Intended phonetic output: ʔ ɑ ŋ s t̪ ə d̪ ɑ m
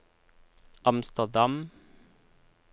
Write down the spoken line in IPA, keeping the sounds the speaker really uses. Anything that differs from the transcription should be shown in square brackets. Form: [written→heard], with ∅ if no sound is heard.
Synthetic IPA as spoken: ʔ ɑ [ŋ→m] s t̪ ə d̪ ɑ m